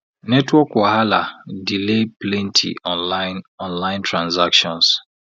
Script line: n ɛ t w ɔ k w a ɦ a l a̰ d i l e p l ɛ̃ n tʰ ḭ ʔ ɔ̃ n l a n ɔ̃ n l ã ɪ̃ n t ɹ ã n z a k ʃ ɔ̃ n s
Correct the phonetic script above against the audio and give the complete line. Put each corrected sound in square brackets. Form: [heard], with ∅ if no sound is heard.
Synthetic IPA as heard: n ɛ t w ɔ k w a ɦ a l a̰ d i l e p l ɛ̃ n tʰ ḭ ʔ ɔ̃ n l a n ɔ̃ n l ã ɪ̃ n t ɹ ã n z a k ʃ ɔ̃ n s